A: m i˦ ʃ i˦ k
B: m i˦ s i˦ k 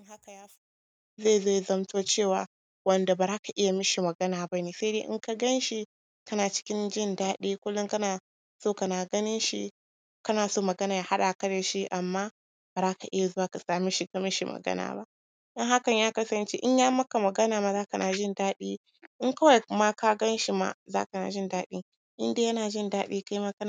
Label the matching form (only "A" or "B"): A